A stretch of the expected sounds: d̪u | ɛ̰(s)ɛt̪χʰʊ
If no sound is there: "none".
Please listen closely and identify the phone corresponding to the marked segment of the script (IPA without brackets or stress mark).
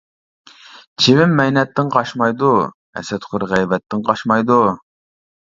s